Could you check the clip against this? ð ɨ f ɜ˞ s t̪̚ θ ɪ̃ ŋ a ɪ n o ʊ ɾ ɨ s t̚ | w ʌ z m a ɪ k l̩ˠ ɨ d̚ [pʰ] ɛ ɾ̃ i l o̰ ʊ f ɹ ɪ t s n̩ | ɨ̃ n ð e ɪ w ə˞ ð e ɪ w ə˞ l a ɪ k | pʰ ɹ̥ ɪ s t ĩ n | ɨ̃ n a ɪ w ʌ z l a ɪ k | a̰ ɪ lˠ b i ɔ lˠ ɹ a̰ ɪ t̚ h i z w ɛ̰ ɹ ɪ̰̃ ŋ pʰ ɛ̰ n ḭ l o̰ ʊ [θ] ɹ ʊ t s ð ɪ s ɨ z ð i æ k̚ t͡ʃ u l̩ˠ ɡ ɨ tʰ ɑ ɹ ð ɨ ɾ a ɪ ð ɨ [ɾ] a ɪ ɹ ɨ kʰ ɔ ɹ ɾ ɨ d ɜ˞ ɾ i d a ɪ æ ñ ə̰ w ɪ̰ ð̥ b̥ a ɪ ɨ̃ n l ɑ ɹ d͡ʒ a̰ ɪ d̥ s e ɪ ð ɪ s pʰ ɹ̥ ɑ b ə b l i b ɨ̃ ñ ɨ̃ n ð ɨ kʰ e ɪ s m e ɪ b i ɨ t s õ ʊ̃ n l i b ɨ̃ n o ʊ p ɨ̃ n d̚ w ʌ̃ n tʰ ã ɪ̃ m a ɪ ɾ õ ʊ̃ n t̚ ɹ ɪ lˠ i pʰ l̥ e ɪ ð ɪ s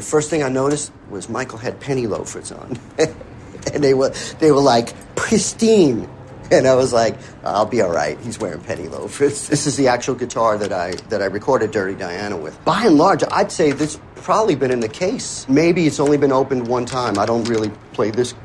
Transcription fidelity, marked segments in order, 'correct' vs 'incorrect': correct, incorrect: f, correct

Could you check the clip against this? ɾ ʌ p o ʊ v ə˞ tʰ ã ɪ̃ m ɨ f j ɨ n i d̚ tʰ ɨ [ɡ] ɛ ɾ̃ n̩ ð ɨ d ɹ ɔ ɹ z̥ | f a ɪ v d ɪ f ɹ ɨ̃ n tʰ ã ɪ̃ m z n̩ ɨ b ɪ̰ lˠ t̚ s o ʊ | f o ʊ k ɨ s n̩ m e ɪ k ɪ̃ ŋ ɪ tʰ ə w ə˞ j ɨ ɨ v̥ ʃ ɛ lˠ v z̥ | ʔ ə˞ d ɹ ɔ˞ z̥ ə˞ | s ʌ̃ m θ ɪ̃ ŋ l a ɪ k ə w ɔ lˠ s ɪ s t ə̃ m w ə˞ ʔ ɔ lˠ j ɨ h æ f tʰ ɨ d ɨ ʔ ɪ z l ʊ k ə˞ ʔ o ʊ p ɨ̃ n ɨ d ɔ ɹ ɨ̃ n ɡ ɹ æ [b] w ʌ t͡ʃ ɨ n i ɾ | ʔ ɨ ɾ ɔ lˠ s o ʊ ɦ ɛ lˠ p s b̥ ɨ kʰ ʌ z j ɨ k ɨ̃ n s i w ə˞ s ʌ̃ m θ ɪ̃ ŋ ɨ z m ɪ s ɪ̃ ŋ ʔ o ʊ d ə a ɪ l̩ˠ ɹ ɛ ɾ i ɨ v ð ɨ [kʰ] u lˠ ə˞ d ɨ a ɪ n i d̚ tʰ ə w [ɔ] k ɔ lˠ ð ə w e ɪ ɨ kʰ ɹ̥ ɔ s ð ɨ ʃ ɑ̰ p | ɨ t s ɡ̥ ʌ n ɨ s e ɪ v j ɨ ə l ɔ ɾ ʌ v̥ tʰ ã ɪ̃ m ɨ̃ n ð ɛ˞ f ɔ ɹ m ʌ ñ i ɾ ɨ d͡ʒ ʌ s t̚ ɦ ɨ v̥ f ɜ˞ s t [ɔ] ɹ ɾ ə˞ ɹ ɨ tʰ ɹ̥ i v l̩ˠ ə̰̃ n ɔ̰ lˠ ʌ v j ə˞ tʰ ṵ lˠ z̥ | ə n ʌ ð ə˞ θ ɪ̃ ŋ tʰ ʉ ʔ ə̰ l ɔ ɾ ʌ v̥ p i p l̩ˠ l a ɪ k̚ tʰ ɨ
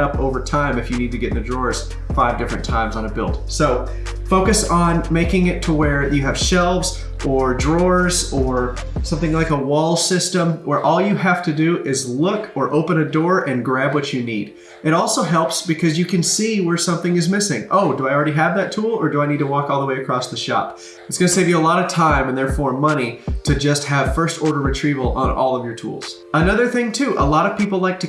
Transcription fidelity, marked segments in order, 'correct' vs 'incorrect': correct, correct, incorrect: tʰ, correct, correct

